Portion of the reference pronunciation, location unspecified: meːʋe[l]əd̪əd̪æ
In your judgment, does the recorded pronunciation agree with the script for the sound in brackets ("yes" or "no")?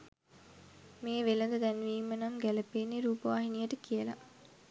yes